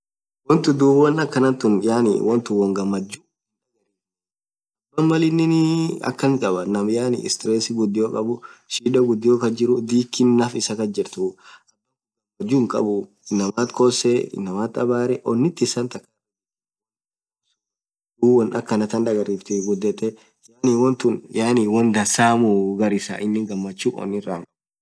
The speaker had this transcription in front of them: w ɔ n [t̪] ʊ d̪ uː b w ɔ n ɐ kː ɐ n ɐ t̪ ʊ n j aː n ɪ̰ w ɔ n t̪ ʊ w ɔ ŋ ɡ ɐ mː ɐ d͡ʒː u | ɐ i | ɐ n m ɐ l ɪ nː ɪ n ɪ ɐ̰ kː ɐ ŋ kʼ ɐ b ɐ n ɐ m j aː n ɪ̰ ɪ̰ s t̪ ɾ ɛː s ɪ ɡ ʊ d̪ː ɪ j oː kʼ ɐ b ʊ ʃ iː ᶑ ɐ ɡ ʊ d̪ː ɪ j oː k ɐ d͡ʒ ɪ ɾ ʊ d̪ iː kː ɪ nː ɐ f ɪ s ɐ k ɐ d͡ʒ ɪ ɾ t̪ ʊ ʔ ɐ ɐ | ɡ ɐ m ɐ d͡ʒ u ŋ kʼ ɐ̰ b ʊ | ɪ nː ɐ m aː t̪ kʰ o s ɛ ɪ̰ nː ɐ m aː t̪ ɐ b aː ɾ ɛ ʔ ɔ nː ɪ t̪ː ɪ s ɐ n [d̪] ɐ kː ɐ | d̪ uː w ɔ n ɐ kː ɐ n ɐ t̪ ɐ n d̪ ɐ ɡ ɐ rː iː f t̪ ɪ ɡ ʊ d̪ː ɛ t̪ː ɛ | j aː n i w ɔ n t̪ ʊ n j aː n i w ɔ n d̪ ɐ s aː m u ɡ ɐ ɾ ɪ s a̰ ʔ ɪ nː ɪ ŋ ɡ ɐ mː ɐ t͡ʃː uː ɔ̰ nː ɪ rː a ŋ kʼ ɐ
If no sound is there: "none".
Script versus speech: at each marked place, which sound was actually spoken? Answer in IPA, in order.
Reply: t̪, t̪

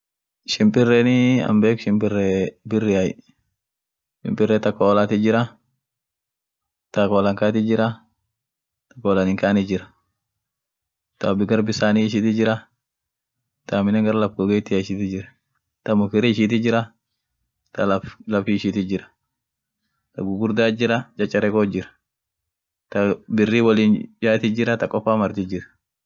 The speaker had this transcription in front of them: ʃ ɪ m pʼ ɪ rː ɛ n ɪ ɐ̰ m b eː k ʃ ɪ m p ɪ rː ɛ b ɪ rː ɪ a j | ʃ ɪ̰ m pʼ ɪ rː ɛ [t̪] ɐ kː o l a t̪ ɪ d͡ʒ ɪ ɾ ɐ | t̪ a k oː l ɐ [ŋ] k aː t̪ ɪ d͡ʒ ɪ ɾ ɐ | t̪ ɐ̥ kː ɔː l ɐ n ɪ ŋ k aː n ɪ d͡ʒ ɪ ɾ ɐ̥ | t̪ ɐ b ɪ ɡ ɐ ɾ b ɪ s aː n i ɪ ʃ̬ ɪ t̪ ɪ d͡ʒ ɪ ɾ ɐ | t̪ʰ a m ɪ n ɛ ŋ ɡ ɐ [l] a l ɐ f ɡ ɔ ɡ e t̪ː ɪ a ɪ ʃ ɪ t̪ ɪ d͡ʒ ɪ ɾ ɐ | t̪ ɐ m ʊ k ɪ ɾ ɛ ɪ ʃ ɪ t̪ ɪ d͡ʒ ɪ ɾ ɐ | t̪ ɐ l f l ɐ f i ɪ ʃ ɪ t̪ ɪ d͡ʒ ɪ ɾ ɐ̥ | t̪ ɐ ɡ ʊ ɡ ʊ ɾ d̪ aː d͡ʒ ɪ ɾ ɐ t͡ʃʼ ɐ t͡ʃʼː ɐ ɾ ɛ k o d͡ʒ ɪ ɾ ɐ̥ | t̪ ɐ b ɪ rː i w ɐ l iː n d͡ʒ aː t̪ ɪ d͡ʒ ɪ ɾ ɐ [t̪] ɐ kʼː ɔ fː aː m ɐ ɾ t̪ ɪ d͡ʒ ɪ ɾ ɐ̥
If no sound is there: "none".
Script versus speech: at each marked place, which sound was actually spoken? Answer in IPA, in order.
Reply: t̪, ŋ, ɾ, t̪

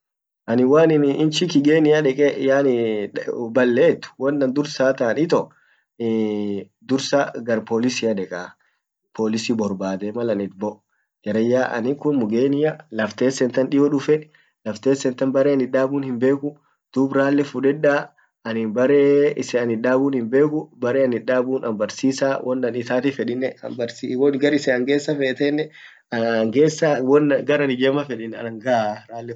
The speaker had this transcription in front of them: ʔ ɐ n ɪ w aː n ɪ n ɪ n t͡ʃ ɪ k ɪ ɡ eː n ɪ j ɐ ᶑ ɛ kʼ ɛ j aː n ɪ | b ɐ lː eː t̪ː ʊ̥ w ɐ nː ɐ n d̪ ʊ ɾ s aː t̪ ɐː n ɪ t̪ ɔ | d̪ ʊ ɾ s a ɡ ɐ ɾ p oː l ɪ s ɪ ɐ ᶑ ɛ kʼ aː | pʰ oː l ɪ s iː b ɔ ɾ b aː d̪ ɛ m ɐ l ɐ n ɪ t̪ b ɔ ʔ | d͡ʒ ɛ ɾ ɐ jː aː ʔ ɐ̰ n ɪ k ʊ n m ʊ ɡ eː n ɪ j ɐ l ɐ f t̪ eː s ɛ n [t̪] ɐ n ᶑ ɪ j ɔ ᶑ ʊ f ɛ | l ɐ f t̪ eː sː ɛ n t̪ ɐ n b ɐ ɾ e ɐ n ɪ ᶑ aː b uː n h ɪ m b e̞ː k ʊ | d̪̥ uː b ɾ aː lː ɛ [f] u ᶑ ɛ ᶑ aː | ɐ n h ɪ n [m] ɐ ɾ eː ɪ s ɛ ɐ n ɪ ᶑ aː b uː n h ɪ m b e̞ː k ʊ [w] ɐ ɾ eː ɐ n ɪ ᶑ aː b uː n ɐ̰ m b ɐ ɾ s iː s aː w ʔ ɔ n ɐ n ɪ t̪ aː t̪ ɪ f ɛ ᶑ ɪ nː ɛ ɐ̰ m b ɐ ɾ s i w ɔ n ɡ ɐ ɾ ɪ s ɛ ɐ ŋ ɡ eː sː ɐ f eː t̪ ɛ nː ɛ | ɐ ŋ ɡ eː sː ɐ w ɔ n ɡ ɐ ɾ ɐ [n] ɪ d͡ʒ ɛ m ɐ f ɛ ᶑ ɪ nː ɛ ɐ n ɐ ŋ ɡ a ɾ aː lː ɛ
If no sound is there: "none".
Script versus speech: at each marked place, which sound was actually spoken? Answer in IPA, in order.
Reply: t̪, f, b, b, n

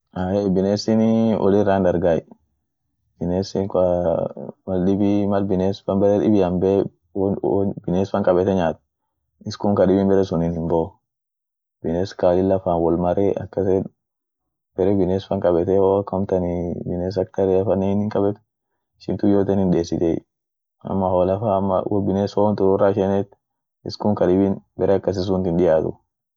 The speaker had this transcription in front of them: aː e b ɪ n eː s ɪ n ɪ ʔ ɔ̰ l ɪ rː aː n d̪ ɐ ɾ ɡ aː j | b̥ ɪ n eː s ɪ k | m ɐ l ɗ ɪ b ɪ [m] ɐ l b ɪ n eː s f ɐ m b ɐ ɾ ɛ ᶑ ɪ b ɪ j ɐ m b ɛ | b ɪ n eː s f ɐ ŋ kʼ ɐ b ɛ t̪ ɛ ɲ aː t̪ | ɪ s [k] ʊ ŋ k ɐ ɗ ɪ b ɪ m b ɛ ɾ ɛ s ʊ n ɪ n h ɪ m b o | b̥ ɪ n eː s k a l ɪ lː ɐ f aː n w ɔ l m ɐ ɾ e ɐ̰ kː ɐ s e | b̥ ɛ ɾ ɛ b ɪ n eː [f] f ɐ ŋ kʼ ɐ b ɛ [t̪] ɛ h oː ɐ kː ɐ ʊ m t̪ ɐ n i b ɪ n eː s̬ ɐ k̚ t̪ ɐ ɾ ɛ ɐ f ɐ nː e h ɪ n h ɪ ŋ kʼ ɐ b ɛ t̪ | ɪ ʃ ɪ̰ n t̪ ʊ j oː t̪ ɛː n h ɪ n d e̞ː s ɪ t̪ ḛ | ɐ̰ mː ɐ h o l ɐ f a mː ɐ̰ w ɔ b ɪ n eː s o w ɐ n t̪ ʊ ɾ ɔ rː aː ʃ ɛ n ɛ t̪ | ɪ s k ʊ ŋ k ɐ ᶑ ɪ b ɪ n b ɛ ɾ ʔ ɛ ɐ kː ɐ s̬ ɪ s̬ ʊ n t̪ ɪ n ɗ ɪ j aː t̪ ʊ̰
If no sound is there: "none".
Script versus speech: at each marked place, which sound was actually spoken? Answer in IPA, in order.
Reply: m, k, s, t̪

